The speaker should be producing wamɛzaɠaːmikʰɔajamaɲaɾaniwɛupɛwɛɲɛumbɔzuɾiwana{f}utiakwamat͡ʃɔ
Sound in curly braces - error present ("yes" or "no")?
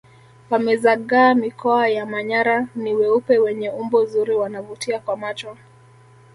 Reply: yes